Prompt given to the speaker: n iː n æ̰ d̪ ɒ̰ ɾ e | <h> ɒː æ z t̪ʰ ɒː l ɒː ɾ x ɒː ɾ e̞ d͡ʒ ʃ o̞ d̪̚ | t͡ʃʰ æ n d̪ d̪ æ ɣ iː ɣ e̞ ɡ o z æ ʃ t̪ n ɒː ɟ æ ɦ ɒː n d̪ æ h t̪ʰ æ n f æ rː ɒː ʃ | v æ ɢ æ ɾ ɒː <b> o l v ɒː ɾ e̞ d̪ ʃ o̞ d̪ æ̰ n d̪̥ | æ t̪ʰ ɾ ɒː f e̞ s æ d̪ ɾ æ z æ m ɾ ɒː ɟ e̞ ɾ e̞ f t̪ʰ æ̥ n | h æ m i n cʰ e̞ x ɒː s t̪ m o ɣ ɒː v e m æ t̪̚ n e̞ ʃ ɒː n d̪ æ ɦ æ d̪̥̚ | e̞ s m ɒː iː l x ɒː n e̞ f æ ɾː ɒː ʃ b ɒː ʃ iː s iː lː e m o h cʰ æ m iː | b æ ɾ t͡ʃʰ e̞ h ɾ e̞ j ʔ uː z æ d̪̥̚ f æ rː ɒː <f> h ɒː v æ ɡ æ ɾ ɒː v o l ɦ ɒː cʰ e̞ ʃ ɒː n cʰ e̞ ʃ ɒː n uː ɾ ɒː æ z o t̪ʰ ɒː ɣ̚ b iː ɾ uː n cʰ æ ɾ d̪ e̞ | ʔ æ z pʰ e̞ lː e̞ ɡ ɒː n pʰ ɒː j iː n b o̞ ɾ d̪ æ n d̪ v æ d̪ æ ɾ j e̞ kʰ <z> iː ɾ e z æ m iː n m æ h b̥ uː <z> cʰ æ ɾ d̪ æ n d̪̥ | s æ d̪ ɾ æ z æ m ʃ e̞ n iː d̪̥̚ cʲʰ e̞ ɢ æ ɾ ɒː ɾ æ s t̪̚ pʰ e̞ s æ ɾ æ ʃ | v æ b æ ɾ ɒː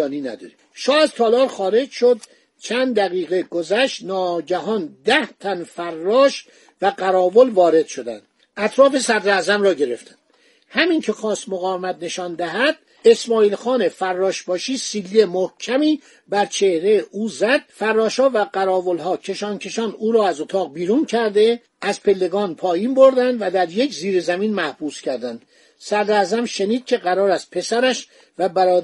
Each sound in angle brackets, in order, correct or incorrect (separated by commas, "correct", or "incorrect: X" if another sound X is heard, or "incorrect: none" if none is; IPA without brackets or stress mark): incorrect: ʃ, incorrect: v, incorrect: ʃ, correct, incorrect: s